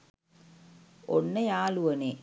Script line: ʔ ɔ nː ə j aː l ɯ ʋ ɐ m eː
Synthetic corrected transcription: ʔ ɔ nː ɐ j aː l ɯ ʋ ɐ n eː